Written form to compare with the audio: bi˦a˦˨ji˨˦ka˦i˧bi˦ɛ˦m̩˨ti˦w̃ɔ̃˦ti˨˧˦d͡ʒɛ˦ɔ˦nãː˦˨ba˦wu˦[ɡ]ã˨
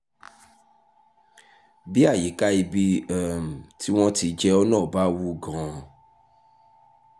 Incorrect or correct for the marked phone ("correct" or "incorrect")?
correct